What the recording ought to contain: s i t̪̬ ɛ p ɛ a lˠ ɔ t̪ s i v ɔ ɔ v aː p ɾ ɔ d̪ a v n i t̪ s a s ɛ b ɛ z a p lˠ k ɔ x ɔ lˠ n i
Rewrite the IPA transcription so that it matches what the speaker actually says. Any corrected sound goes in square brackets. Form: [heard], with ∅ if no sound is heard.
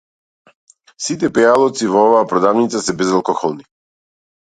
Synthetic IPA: s i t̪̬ ɛ p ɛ a lˠ ɔ t̪ s i v ɔ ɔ v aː p ɾ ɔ d̪ a v n i t̪ s a s ɛ b ɛ z a [∅] lˠ k ɔ x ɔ lˠ n i